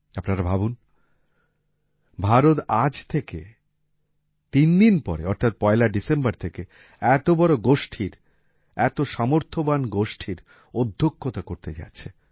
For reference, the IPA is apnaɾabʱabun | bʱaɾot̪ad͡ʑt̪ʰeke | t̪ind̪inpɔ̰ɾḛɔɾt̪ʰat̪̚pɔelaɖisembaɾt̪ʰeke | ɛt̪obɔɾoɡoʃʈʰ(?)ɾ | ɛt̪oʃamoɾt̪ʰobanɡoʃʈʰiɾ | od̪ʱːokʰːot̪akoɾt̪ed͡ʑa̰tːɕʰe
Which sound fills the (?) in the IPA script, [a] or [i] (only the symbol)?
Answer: i